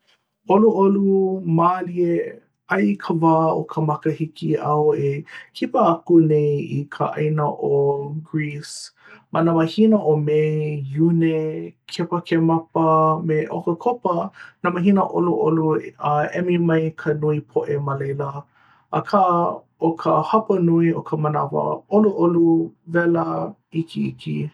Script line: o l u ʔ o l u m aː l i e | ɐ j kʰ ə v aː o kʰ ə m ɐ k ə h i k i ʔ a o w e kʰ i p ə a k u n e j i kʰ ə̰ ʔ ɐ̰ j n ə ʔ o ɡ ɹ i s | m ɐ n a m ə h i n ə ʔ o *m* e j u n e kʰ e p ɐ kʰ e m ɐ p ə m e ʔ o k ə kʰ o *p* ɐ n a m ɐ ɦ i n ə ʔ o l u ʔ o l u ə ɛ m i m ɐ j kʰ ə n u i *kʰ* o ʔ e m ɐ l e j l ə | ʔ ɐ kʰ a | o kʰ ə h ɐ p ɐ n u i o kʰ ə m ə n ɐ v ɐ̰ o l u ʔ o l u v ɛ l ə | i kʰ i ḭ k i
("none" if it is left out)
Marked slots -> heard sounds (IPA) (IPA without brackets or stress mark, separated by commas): m, p, pʰ